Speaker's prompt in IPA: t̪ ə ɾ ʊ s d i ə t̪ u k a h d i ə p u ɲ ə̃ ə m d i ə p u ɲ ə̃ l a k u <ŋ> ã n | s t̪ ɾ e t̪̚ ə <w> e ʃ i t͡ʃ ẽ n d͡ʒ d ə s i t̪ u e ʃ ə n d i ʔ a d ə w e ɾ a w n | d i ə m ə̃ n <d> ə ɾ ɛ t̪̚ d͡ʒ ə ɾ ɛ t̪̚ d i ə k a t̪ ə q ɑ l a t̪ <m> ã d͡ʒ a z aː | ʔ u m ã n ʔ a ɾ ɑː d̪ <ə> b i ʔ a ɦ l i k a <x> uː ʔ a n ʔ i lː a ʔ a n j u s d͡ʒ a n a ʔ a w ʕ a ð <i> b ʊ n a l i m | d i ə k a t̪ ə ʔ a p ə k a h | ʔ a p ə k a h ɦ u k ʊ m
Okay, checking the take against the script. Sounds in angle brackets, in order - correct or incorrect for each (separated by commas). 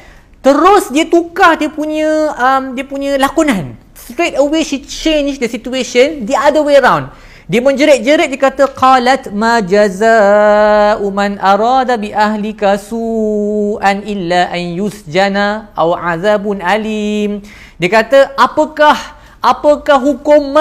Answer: incorrect, correct, incorrect, correct, incorrect, incorrect, incorrect